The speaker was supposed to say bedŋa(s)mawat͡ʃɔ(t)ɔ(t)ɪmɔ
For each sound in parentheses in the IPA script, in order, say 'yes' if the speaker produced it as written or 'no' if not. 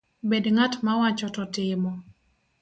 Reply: no, yes, yes

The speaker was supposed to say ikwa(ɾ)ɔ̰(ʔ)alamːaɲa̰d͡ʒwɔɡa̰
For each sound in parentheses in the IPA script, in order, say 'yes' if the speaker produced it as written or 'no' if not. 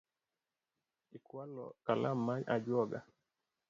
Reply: no, no

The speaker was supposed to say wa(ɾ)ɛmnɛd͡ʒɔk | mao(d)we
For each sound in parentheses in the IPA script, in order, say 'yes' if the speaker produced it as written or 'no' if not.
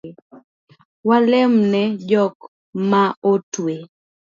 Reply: no, no

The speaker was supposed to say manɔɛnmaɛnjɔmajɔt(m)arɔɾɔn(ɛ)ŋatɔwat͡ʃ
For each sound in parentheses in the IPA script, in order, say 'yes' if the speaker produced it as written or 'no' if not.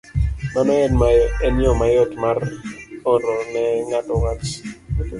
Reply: yes, yes

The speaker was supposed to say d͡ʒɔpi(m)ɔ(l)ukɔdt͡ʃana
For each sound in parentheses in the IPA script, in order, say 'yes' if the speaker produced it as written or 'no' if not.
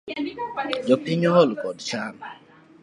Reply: no, yes

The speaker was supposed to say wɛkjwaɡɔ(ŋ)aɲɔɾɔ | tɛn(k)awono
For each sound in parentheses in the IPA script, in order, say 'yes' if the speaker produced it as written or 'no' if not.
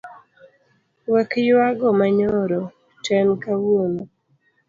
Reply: no, yes

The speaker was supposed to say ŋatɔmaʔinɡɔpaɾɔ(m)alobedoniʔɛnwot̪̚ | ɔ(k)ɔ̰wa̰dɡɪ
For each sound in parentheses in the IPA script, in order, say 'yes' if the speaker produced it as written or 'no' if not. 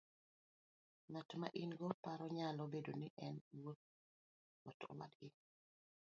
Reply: no, no

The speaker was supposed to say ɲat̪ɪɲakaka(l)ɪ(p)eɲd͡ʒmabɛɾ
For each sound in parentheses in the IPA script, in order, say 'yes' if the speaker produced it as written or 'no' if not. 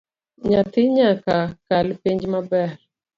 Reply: yes, yes

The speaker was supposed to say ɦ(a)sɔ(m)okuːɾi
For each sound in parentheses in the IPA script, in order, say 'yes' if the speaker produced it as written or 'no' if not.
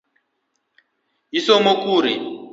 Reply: no, yes

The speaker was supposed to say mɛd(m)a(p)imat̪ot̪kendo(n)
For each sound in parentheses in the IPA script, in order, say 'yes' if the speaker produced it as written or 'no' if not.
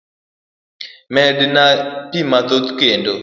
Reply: no, yes, no

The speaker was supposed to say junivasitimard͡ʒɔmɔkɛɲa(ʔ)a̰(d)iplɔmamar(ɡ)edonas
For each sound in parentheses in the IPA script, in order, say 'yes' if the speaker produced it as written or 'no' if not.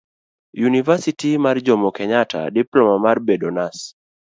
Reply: no, yes, no

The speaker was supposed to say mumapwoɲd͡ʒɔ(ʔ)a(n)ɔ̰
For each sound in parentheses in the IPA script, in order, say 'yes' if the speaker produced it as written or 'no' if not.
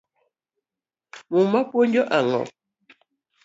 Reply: yes, no

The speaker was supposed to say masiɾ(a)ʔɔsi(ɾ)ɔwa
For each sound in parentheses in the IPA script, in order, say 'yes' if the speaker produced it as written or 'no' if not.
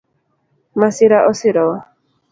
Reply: yes, yes

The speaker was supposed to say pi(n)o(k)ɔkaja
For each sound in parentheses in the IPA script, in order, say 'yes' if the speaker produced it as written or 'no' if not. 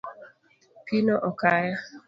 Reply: yes, no

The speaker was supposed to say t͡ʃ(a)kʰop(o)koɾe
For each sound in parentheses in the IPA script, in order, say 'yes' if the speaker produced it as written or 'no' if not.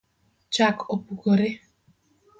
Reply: yes, no

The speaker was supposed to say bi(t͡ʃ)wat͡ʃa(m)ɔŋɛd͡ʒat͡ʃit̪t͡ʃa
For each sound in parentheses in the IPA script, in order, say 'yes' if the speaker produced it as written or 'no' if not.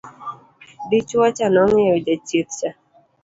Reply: yes, no

